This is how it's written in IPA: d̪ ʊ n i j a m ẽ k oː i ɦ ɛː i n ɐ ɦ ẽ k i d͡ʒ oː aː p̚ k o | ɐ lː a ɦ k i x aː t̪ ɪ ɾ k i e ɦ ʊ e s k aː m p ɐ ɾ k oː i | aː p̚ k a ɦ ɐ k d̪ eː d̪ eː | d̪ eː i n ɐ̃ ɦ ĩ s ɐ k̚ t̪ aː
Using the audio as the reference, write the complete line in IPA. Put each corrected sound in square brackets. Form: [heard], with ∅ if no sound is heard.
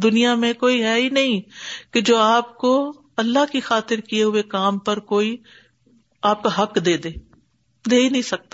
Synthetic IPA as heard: d̪ ʊ n i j a m ẽ k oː i ɦ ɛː i n ɐ ɦ [ĩ] k [e] d͡ʒ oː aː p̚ k o | ɐ lː a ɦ k i x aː t̪ ɪ ɾ k i e ɦ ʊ e [∅] k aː m p ɐ ɾ k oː i | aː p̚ k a ɦ ɐ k d̪ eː d̪ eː | d̪ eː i n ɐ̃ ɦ ĩ s ɐ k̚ t̪ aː